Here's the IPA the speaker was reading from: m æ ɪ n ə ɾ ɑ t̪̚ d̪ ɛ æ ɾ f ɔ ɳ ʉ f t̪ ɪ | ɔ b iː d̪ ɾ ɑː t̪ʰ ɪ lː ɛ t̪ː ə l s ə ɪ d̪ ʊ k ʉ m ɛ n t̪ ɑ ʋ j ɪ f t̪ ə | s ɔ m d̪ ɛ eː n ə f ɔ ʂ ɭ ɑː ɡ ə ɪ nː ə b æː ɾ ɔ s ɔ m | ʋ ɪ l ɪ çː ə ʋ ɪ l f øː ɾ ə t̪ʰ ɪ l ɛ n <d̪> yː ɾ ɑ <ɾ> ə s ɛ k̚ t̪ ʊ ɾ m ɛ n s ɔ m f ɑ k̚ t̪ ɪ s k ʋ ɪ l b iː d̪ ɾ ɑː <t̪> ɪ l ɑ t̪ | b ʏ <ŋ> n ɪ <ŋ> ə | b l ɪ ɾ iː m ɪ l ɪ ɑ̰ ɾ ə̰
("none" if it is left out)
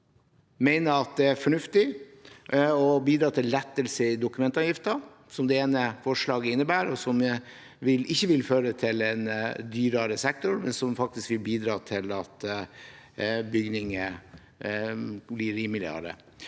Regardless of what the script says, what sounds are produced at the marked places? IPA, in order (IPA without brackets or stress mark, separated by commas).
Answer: d̪, ɾ, t̪ʰ, ɡ, ŋ